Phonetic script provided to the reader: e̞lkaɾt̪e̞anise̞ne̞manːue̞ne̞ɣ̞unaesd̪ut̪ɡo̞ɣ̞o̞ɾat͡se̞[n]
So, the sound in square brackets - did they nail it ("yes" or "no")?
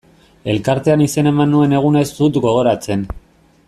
yes